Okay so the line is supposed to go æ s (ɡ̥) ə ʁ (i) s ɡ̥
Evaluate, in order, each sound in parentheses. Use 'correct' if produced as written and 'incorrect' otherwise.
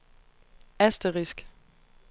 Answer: incorrect, correct

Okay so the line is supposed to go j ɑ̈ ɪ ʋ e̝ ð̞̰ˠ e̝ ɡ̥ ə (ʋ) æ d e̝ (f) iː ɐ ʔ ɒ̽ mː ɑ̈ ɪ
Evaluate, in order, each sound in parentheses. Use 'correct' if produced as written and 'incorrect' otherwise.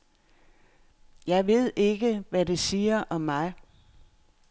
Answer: correct, incorrect

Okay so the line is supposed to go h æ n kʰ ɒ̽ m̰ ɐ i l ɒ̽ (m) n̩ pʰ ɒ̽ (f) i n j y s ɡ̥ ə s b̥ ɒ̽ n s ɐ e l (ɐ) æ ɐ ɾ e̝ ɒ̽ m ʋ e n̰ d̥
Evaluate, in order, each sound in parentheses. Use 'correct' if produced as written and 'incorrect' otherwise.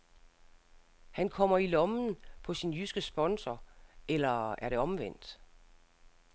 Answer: correct, incorrect, correct

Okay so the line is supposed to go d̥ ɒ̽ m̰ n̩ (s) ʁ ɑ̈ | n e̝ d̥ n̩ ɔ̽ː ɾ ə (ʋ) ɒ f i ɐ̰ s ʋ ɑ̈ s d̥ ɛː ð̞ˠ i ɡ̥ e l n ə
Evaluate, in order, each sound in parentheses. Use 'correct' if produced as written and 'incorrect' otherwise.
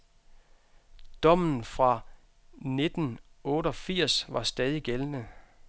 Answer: incorrect, incorrect

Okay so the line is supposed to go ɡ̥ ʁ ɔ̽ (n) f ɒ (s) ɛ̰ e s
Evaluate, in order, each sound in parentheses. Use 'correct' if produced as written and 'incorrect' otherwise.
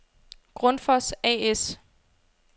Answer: correct, correct

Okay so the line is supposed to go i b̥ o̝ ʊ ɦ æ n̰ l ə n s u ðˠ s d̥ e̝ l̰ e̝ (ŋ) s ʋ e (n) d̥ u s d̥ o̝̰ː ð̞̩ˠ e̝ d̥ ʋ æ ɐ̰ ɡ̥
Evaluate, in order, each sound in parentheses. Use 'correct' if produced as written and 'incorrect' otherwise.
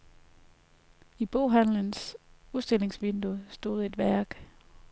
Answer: correct, correct

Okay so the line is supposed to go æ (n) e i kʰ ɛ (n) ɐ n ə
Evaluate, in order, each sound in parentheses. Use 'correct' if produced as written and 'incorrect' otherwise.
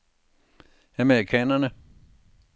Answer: incorrect, correct

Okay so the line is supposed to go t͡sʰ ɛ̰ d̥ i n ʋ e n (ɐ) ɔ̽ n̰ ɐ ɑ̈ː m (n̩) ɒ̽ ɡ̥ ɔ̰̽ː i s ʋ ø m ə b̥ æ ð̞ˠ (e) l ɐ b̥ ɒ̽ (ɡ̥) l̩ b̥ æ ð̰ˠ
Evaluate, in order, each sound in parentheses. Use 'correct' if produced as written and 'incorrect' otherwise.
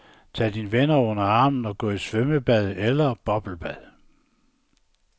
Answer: correct, correct, correct, incorrect

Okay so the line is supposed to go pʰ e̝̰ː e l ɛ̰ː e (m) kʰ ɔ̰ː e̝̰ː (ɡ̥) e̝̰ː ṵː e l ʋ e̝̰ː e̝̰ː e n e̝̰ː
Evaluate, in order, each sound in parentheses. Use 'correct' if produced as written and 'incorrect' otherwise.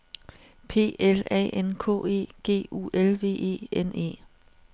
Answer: incorrect, correct

